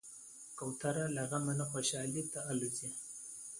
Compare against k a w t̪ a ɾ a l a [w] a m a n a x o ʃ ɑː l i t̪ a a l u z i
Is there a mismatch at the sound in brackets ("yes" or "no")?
yes